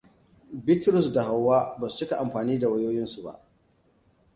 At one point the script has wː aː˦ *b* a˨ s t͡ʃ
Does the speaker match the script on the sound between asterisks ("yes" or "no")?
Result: yes